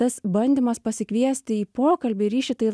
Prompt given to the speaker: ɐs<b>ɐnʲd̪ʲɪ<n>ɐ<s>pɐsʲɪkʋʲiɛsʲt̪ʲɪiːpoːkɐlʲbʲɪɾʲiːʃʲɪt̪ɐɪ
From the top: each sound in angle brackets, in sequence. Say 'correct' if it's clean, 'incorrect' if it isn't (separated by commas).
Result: correct, incorrect, correct